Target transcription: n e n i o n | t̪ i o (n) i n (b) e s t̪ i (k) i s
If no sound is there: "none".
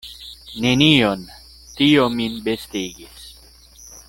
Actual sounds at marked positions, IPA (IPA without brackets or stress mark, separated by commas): m, b, ɡ